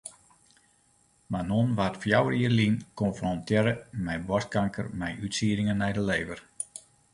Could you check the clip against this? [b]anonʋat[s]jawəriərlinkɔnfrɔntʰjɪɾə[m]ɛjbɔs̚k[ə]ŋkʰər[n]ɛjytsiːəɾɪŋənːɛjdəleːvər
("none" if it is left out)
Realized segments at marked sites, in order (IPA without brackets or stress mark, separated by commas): m, f, m, a, m